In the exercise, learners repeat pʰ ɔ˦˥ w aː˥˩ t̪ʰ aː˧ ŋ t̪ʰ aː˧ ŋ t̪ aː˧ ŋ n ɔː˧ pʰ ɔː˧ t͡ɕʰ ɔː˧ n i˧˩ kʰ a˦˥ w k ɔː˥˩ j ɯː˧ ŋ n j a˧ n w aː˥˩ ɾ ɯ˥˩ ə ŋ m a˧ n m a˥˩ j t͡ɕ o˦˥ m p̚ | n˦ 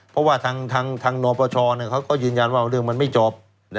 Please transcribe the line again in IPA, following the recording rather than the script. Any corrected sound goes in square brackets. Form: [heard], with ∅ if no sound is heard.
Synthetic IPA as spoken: pʰ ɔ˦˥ w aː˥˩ t̪ʰ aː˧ ŋ t̪ʰ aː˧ ŋ [t̪ʰ] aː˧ ŋ n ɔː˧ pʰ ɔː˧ t͡ɕʰ ɔː˧ n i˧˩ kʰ a˦˥ w k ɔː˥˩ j ɯː˧ [∅] n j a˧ n w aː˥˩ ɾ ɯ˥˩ ə ŋ m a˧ n m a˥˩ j t͡ɕ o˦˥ [∅] p̚ | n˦